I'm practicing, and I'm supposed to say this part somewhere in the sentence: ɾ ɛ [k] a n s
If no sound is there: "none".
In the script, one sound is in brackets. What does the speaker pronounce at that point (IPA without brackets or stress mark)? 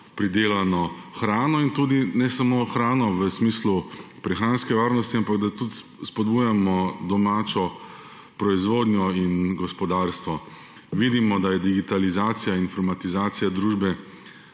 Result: x